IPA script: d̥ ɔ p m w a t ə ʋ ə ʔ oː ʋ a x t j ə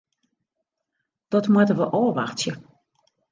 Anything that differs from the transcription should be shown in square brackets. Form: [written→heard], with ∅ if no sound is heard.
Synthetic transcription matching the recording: d̥ ɔ [p→t] m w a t ə ʋ ə ʔ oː ʋ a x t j ə